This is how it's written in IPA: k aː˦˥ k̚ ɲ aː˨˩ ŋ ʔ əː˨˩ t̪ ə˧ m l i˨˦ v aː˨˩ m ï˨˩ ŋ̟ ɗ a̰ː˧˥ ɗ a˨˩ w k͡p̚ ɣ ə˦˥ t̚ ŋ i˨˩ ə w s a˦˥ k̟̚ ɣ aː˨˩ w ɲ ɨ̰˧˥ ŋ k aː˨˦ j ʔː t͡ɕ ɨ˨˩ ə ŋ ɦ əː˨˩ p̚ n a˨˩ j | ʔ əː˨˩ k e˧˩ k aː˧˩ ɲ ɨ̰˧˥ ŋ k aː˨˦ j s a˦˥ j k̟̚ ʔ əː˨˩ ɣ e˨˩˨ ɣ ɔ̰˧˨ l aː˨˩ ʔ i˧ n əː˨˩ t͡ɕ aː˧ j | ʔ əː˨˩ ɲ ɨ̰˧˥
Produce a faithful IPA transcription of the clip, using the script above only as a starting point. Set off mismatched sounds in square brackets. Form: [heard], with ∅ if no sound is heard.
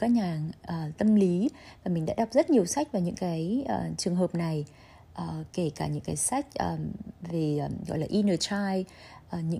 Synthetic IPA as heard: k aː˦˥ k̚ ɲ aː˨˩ ŋ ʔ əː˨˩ t̪ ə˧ m l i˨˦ v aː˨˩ m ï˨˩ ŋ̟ ɗ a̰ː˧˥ ɗ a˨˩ w k͡p̚ [z] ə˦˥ t̚ [ɲ] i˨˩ ə w s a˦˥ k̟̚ [v] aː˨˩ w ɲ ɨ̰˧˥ ŋ k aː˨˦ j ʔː t͡ɕ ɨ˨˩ ə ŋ ɦ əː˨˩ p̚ n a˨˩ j | ʔ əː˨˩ k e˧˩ k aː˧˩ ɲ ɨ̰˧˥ ŋ k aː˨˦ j s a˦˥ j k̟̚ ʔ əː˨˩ [v] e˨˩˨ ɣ ɔ̰˧˨ l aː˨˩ ʔ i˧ n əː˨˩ t͡ɕ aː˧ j | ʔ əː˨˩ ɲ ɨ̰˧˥